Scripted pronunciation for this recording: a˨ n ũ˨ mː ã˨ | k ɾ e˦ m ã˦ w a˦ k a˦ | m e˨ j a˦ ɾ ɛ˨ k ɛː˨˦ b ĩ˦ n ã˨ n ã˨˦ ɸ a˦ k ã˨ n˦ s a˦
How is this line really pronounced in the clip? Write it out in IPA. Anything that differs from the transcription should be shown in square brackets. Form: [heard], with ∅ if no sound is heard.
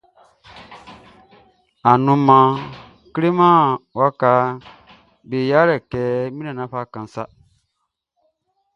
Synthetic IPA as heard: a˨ n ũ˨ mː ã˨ | k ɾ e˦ m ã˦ w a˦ k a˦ | [b] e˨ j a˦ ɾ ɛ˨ k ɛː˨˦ [m] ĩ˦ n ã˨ n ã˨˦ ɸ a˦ k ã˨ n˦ s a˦